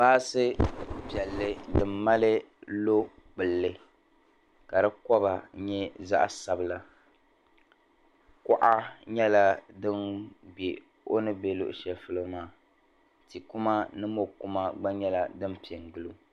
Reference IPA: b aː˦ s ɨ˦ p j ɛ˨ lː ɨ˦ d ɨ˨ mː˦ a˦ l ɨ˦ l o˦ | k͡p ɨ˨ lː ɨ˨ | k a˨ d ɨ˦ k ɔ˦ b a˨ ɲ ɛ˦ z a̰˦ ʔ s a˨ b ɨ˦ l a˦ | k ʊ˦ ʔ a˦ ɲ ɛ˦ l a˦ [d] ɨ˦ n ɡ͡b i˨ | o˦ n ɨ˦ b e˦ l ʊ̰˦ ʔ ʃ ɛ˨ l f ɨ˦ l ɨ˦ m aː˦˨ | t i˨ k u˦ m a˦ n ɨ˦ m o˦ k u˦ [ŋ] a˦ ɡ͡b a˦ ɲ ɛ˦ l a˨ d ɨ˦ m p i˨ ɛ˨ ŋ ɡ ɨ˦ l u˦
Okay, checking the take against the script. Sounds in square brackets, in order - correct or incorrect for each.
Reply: correct, incorrect: m

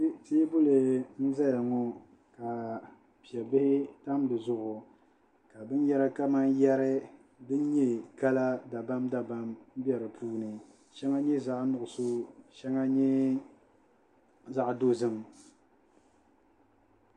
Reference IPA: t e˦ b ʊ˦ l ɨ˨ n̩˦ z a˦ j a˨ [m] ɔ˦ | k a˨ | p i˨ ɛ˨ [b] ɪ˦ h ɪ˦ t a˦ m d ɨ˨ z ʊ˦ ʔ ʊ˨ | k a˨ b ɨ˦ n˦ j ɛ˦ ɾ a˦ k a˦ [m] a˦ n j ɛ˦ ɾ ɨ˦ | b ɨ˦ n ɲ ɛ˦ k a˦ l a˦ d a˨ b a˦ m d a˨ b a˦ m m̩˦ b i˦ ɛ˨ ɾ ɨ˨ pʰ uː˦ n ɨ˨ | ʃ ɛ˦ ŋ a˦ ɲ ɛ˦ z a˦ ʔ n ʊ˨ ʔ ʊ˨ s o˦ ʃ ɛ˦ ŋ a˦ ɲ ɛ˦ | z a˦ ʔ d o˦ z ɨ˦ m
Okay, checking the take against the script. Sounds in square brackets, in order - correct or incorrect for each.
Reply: incorrect: ŋ, correct, correct

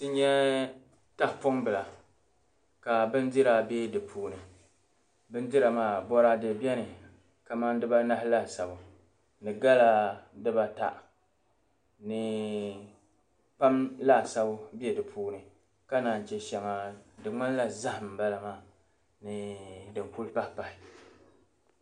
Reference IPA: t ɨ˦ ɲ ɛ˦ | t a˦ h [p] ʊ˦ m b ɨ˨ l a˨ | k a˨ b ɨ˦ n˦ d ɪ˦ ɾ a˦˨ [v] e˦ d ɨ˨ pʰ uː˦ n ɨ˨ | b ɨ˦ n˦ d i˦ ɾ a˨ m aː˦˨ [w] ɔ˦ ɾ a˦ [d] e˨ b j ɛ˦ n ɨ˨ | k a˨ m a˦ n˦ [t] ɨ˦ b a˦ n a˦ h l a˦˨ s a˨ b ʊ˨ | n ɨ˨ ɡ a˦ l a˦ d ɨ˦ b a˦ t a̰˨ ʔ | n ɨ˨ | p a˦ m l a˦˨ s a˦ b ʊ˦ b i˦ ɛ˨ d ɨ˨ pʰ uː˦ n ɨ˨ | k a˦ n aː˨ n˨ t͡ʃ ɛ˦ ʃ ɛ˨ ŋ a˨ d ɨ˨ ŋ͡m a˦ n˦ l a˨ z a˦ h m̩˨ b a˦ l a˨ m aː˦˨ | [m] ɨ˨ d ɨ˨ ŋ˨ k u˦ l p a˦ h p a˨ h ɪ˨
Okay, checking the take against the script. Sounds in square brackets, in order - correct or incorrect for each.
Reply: correct, incorrect: b, incorrect: b, correct, incorrect: d, incorrect: n

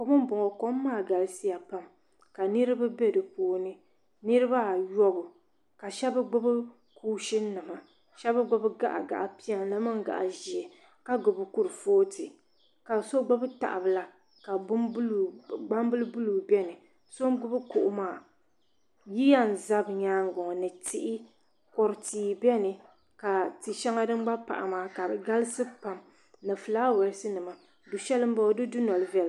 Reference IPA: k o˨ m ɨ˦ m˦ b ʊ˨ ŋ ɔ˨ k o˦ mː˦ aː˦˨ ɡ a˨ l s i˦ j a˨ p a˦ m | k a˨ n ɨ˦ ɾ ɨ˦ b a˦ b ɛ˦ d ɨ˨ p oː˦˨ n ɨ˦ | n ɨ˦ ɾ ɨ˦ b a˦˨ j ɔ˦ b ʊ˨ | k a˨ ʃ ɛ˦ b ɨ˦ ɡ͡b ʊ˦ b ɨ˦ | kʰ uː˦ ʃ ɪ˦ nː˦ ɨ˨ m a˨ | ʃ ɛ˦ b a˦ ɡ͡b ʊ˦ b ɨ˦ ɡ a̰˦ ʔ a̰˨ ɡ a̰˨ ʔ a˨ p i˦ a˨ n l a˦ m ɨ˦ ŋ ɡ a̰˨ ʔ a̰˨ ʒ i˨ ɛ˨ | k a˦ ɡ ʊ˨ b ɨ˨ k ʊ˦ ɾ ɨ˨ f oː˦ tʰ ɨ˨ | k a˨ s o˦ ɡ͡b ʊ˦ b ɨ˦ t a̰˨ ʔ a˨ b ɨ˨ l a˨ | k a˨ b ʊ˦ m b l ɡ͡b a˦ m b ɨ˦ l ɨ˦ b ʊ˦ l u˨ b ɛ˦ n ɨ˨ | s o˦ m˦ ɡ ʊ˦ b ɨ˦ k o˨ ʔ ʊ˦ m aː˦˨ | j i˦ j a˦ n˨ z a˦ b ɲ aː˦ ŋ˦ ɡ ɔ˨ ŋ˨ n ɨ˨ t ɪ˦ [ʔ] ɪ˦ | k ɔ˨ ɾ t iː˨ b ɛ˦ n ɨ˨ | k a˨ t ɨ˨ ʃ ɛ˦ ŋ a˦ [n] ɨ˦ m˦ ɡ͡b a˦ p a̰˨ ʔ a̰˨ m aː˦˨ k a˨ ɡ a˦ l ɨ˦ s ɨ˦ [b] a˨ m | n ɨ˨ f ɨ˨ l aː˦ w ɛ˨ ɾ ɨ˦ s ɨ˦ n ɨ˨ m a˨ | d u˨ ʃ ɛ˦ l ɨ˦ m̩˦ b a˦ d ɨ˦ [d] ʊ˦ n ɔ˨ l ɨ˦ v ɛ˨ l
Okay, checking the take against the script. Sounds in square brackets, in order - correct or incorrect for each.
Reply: correct, incorrect: d, incorrect: p, correct

